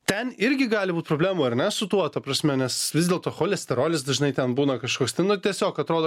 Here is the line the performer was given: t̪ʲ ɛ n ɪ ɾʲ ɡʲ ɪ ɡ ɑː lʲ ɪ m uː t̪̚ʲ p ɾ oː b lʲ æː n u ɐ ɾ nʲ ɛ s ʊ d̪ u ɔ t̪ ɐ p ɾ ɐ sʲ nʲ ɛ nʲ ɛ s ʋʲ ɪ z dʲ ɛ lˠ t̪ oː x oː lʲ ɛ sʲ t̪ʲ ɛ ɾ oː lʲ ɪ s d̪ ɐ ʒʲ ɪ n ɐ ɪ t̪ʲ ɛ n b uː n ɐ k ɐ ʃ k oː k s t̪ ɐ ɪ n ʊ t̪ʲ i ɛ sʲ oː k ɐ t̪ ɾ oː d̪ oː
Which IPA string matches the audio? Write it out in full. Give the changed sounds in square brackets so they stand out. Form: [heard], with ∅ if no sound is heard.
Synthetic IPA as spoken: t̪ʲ ɛ n ɪ ɾʲ ɡʲ ɪ ɡ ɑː lʲ ɪ [b] uː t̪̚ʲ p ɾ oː b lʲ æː [m] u ɐ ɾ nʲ ɛ s ʊ [t̪] u ɔ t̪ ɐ p ɾ ɐ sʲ [mʲ] ɛ nʲ ɛ s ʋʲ ɪ z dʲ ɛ lˠ t̪ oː x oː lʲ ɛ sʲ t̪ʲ ɛ ɾ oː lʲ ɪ s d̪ ɐ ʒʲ ɪ n ɐ ɪ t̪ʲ ɛ n b uː n ɐ k ɐ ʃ k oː k s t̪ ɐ ɪ n ʊ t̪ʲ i ɛ sʲ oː k ɐ t̪ ɾ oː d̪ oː